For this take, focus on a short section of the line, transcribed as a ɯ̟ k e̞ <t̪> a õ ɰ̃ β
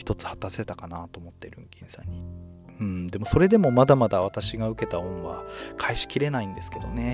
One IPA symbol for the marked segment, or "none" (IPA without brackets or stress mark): t̪